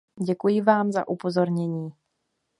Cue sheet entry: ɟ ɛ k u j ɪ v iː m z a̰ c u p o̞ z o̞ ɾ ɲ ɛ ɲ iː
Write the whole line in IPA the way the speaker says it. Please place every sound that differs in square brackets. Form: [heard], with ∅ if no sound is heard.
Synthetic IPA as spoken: ɟ ɛ k u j ɪ v [aː] m z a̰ [ʔ] u p o̞ z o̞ ɾ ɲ ɛ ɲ iː